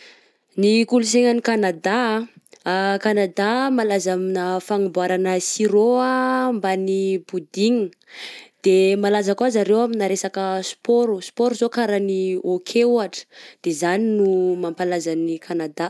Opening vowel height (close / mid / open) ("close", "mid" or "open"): close